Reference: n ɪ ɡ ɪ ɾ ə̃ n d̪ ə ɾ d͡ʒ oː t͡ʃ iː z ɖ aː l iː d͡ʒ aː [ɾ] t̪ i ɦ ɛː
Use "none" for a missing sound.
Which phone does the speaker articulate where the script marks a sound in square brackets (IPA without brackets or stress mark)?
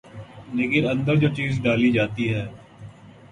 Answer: none